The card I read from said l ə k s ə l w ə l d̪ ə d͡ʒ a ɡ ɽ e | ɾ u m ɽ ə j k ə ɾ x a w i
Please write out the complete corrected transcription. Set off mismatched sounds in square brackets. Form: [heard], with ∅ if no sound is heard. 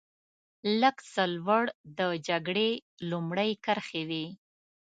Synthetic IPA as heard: l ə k s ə l w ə [ɽ] d̪ ə d͡ʒ a ɡ ɽ e | [l] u m ɽ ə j k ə ɾ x [e] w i